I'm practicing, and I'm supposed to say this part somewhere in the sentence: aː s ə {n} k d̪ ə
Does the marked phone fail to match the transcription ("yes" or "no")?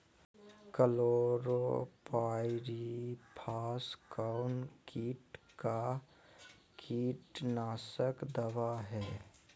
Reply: yes